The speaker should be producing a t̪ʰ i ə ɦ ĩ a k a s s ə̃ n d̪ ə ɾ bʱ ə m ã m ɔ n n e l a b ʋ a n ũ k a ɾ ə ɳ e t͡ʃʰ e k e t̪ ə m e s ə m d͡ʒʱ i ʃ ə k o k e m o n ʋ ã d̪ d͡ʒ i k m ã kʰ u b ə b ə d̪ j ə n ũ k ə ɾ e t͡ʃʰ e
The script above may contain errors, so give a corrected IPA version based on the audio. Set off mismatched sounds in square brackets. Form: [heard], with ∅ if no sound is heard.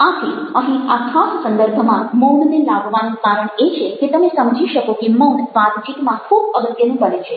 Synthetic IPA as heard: a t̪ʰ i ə ɦ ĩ a [kʰ] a s s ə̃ n d̪ ə ɾ bʱ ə m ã m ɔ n n e l a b ʋ a n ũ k a ɾ ə ɳ e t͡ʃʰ e k e t̪ ə m e s ə m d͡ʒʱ i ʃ ə k o k e m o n ʋ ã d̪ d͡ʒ i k m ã kʰ u b ə b ə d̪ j ə n ũ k ə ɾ e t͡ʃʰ e

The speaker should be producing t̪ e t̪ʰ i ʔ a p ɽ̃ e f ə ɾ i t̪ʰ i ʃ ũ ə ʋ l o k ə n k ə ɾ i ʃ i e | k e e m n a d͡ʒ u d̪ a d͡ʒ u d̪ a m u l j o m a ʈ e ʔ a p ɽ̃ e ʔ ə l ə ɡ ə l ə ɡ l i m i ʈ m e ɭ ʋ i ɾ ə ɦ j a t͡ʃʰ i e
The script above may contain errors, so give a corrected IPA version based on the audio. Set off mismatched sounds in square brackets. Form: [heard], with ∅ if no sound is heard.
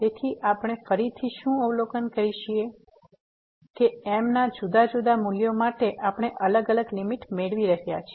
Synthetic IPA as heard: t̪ e t̪ʰ i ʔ a p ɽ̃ e f ə ɾ i t̪ʰ i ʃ ũ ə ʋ l o k ə n k ə ɾ i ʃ i e | k e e m n a d͡ʒ u d̪ a d͡ʒ u d̪ a m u l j o m a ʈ e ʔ a p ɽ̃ e ʔ ə l ə ɡ ə l ə ɡ l i m i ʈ m e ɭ ʋ i ɾ ə ɦ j a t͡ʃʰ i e

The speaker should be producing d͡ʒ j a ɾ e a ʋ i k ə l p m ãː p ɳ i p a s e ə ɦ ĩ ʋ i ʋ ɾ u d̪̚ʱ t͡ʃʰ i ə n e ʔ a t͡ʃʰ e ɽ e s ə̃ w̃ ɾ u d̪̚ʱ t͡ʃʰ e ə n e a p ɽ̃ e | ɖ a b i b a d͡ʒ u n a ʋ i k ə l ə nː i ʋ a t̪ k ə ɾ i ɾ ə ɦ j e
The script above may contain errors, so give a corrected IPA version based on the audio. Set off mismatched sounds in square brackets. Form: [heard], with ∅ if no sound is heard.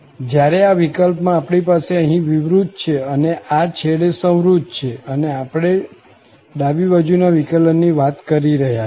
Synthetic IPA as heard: d͡ʒ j a ɾ e a ʋ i k ə l p m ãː p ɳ i p a s e ə ɦ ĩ ʋ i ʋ ɾ u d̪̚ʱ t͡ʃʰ [e] ə n e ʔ a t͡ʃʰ e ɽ e s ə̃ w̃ ɾ u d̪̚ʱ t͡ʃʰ e ə n e a p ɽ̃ e | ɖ a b i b a d͡ʒ u n a ʋ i k ə l ə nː i ʋ a t̪ k ə ɾ i ɾ ə ɦ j [a]

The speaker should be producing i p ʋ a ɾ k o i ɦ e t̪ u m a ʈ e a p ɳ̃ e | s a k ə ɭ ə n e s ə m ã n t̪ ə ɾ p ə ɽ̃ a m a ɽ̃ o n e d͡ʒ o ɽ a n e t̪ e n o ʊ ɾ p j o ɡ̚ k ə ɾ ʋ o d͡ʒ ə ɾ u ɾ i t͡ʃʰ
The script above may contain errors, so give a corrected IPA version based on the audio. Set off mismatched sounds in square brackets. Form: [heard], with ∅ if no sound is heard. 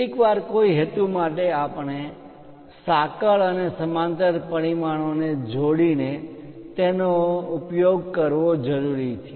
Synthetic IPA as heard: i [k] ʋ a ɾ k o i ɦ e t̪ u m a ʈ e a p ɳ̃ e | s a k ə ɭ ə n e s ə m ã n t̪ ə ɾ p ə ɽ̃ [i] m a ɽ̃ o n e d͡ʒ o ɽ [i] n e t̪ e n o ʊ [∅] p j o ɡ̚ k ə ɾ ʋ o d͡ʒ ə ɾ u ɾ i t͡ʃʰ

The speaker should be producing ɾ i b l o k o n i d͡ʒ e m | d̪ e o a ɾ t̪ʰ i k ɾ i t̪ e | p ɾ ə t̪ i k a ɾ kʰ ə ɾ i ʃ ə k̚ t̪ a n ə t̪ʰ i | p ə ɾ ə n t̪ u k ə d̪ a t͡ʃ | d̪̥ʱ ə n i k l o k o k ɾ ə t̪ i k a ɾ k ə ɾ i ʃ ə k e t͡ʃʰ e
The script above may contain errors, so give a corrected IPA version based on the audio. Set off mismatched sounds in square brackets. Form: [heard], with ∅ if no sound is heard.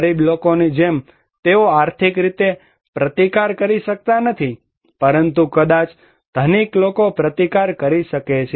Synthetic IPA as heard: ɾ i b l o k o n i d͡ʒ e m | [t̪] e o a ɾ t̪ʰ i k ɾ i t̪ e | p ɾ ə t̪ i k a ɾ [k] ə ɾ i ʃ ə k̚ t̪ a n ə t̪ʰ i | p ə ɾ ə n t̪ u k ə d̪ a t͡ʃ | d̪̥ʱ ə n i k l o k o [p] ɾ ə t̪ i k a ɾ k ə ɾ i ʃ ə k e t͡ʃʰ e

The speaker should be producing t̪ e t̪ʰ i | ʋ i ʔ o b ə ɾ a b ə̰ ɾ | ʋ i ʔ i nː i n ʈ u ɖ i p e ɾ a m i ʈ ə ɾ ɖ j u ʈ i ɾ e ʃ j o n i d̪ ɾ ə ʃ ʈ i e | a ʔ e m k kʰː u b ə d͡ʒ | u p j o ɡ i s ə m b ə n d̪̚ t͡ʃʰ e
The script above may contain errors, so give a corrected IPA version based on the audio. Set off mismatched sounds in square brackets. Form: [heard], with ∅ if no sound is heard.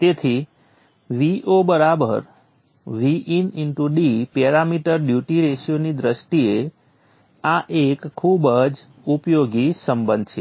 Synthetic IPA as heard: t̪ e t̪ʰ i | ʋ i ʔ o b ə ɾ a b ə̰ ɾ | ʋ i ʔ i [n] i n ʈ u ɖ i p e ɾ a m i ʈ ə ɾ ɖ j u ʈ i ɾ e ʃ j o n i d̪ ɾ ə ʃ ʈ i e | a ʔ e [∅] k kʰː u b ə d͡ʒ | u p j o ɡ i s ə m b ə n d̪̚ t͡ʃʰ e

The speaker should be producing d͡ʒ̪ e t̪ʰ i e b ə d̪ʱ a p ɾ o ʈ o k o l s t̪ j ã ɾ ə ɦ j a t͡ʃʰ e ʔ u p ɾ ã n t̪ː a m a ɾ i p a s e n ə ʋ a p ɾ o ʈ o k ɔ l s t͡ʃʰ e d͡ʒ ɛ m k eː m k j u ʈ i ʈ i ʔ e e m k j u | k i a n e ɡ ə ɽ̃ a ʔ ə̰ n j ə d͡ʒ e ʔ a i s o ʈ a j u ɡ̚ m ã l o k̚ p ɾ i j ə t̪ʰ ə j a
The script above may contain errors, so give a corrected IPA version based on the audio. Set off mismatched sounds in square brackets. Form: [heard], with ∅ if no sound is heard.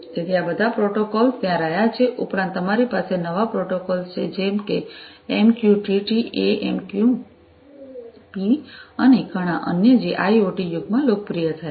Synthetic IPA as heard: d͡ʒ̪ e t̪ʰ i [a] b ə d̪ʱ a p ɾ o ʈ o k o l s t̪ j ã ɾ ə ɦ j a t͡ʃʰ e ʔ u p ɾ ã n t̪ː [ə] m a ɾ i p a s e n ə ʋ a p ɾ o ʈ o k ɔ l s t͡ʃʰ e d͡ʒ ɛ m k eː m k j u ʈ i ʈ i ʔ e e m k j u | [p] i [ə] n e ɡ ə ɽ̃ a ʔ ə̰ n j ə d͡ʒ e ʔ a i [∅] o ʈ [i] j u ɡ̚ m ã l o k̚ p ɾ i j ə t̪ʰ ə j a

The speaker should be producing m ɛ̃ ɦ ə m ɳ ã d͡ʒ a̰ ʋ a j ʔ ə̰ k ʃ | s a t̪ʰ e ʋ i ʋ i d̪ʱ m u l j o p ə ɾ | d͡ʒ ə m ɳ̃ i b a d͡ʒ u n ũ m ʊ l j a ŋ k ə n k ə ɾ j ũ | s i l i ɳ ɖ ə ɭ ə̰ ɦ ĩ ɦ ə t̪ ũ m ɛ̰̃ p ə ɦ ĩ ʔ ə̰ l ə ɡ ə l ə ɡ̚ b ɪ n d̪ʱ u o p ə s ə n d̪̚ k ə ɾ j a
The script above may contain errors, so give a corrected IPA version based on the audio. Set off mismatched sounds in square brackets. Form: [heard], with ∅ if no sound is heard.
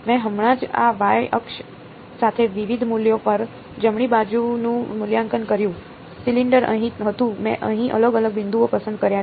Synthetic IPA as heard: m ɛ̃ ɦ ə m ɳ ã d͡ʒ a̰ ʋ a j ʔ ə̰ k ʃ | s a t̪ʰ e ʋ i ʋ i d̪ʱ m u l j o p ə ɾ | d͡ʒ ə m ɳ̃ i b a d͡ʒ u n ũ m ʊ l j a ŋ k ə n k ə ɾ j ũ | s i l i ɳ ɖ ə [ɾ] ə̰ ɦ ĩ ɦ ə t̪ ũ m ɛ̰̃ [ʔ] ə ɦ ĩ ʔ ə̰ l ə ɡ ə l ə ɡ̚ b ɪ n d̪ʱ u o p ə s ə n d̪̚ k ə ɾ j a

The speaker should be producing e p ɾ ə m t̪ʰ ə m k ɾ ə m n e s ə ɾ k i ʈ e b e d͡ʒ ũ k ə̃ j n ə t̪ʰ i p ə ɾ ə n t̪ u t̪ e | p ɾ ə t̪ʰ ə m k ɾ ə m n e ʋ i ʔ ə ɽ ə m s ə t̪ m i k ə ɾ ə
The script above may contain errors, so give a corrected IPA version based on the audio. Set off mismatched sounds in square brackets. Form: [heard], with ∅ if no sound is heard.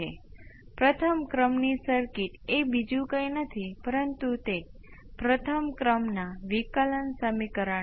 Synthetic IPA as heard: e p ɾ ə [∅] t̪ʰ ə m k ɾ ə m n [i] s ə ɾ k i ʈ e b [i] d͡ʒ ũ k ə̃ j n ə t̪ʰ i p ə ɾ ə n t̪ u t̪ e | p ɾ ə t̪ʰ ə m k ɾ ə m n [a] ʋ i [k] ə [l] ə [n] s ə [∅] m i k ə ɾ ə

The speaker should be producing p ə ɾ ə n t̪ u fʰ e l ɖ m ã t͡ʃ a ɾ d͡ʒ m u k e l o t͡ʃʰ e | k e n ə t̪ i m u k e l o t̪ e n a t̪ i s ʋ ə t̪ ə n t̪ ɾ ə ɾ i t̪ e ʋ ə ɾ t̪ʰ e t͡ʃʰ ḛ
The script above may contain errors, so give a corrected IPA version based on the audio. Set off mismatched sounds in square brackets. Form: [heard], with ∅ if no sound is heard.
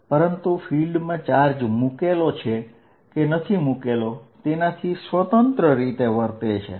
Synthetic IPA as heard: p ə ɾ ə n t̪ u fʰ [i] l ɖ m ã t͡ʃ a ɾ d͡ʒ m u k e l o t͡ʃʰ e | k e n ə [t̪ʰ] i m u k e l o t̪ e n a [t̪ʰ] i s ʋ ə t̪ ə n t̪ ɾ ə ɾ i t̪ e ʋ ə ɾ [t̪] e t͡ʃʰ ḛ

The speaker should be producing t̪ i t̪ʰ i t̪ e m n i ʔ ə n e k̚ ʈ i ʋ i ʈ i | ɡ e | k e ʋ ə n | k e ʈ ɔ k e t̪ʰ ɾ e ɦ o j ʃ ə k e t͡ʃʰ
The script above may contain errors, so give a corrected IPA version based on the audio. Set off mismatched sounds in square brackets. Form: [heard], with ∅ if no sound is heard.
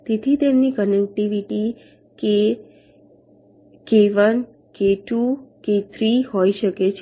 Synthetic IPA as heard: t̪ [e] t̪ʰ i t̪ e m n i [k] ə n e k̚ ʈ i ʋ i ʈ i | [k] e | k e ʋ ə n | k e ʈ [u] k e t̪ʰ ɾ [i] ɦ o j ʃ ə k e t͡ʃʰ

